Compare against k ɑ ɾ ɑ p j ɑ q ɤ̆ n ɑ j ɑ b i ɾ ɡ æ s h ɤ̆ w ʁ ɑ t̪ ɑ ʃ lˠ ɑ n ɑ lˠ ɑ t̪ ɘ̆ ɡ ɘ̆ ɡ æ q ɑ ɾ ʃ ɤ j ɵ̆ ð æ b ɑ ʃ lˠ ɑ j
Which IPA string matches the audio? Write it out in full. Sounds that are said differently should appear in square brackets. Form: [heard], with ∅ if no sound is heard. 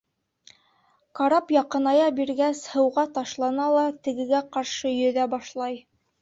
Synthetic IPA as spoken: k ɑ ɾ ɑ p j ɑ q ɤ̆ n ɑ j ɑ b i ɾ ɡ æ s h ɤ̆ w ʁ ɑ t̪ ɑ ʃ lˠ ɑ n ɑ lˠ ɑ t̪ ɘ̆ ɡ ɘ̆ ɡ æ q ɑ ɾ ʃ ɤ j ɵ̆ ð æ b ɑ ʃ lˠ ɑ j